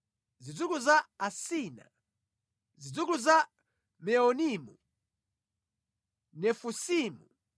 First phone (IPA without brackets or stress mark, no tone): z